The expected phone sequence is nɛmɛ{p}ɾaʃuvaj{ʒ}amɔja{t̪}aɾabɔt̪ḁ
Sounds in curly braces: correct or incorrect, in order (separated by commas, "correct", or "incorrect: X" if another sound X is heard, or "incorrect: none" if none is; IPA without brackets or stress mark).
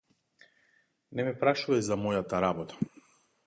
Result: correct, incorrect: z, correct